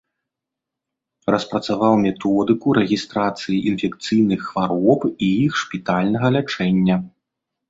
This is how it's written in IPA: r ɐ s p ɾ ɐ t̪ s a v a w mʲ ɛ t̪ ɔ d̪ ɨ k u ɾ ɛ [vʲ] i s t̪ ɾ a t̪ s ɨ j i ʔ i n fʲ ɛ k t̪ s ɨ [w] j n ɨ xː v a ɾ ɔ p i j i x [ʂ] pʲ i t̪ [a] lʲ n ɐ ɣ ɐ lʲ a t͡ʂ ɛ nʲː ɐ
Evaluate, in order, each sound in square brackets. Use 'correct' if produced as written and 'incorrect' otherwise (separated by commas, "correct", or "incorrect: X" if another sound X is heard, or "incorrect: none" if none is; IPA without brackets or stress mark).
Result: incorrect: ɣʲ, incorrect: none, correct, correct